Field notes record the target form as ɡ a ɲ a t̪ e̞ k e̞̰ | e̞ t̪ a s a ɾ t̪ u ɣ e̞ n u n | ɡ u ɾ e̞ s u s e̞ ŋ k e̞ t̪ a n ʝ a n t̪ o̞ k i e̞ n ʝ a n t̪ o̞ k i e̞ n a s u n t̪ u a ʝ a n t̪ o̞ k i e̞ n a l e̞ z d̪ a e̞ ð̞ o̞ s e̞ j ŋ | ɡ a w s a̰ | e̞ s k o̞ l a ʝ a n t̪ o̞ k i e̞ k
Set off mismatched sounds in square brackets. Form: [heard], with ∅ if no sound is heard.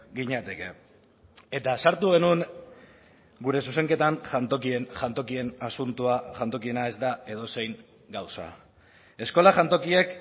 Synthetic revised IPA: ɡ [i] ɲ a t̪ e̞ k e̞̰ | e̞ t̪ a s a ɾ t̪ u ɣ e̞ n u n | ɡ u ɾ e̞ s u s e̞ ŋ k e̞ t̪ a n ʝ a n t̪ o̞ k i e̞ n ʝ a n t̪ o̞ k i e̞ n a s u n t̪ u a ʝ a n t̪ o̞ k i e̞ n a [∅] e̞ z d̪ a e̞ ð̞ o̞ s e̞ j ŋ | ɡ a w s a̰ | e̞ s k o̞ l a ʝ a n t̪ o̞ k i e̞ k